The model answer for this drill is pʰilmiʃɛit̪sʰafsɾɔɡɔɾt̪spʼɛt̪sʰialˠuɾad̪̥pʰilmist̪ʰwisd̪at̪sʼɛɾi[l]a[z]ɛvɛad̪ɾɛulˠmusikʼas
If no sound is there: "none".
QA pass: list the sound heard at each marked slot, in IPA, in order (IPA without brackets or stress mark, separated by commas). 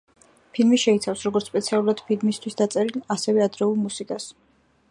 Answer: l, s